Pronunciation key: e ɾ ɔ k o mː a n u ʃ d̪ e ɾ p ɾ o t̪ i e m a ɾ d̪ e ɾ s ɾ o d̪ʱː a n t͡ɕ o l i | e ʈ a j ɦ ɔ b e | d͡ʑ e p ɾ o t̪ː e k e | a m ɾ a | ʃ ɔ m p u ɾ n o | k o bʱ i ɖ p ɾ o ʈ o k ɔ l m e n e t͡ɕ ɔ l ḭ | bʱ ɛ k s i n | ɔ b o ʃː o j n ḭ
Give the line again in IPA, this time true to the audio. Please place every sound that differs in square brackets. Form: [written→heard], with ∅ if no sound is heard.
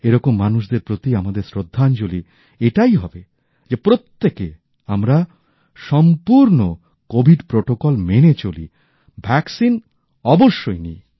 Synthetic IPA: e ɾ ɔ k o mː a n u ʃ d̪ e ɾ p ɾ o t̪ i [e→a] m a [ɾ→∅] d̪ e ɾ s ɾ o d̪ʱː a n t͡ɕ o l i | e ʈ a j ɦ ɔ b e | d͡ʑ e p ɾ o t̪ː e k e | a m ɾ a | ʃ ɔ m p u ɾ n o | k o bʱ i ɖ p ɾ o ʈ o k ɔ l m e n e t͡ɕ [ɔ→o] l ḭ | bʱ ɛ k s i n | ɔ b o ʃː o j n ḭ